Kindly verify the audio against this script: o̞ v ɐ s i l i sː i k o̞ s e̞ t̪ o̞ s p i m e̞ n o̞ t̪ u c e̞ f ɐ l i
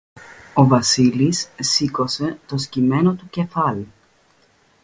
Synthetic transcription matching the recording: o̞ v ɐ s i l i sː i k o̞ s e̞ t̪ o̞ s c i m e̞ n o̞ t̪ u c e̞ f ɐ l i